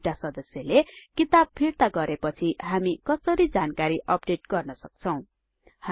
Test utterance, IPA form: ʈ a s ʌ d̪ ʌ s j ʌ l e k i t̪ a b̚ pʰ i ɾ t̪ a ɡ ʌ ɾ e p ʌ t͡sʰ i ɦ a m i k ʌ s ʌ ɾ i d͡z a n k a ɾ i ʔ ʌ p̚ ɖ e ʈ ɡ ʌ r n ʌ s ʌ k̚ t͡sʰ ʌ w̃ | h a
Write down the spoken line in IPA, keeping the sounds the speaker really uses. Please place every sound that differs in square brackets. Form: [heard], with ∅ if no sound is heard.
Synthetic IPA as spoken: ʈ a s ʌ d̪ ʌ s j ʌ l e k i t̪ a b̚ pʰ i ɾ t̪ a ɡ ʌ ɾ e p ʌ t͡sʰ i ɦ a m i k ʌ s ʌ ɾ i d͡z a n k a ɾ i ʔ ʌ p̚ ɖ e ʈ ɡ ʌ r n ʌ s ʌ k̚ t͡sʰ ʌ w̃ | h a